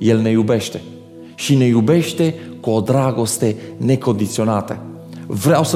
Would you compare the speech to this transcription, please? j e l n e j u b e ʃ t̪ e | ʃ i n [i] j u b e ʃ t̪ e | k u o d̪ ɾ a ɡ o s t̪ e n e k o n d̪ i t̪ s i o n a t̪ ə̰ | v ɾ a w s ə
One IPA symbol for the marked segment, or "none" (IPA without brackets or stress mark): e